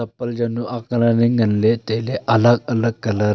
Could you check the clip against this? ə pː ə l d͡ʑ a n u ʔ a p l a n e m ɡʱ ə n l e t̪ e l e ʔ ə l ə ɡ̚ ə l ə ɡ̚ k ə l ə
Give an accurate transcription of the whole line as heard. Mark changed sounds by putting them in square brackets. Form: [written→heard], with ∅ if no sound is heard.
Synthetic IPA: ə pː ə l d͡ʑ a n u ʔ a [p→k] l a n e [m→ŋ] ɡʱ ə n l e t̪ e l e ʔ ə l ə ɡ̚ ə l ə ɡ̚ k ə l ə